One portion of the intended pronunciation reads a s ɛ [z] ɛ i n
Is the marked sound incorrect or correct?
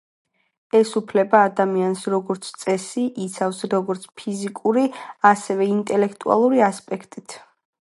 incorrect